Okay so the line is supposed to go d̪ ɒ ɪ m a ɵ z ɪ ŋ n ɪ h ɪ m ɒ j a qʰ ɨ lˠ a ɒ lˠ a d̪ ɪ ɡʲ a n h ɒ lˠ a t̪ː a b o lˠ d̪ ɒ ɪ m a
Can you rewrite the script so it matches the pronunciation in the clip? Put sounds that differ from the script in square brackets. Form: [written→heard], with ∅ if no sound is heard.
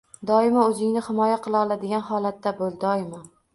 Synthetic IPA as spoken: d̪ ɒ ɪ m a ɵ z ɪ ŋ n ɪ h ɪ m ɒ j a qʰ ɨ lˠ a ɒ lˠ a d̪ ɪ ɡʲ a n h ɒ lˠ a t̪ː a b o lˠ d̪ ɒ ɪ m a